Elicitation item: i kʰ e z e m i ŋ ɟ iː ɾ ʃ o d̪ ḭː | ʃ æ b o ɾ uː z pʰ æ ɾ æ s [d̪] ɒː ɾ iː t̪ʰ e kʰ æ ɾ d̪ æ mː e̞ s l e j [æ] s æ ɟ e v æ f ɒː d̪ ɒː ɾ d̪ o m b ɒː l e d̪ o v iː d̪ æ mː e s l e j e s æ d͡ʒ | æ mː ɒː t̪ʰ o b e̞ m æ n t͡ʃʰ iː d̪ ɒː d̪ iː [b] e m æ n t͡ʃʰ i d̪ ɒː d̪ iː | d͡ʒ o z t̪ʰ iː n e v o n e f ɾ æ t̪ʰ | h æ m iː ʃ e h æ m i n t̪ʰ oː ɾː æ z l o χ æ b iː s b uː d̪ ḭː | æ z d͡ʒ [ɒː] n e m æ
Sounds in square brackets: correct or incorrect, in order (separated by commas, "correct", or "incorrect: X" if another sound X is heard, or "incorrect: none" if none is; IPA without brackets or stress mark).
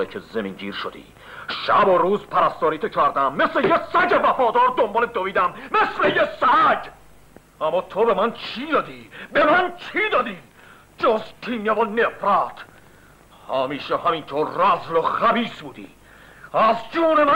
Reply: incorrect: t̪, incorrect: e, correct, incorrect: uː